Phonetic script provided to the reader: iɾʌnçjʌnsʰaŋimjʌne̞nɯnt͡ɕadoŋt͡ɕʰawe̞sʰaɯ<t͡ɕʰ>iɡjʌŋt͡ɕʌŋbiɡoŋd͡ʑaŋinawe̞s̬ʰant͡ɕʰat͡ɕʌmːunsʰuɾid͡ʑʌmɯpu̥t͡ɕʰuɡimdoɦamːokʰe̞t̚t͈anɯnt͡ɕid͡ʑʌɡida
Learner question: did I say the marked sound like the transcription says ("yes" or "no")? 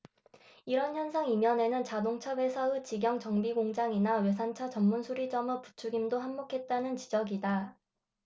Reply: no